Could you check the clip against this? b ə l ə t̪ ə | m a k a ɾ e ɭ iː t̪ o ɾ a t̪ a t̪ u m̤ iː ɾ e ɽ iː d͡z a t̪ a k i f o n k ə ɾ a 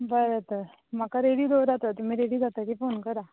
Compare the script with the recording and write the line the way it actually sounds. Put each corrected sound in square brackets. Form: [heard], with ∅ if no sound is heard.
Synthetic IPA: b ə [ɾ] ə t̪ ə | m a k a ɾ e [ɽ] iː [d̪] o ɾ a t̪ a t̪ u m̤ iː ɾ e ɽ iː d͡z a t̪ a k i f o n k ə ɾ a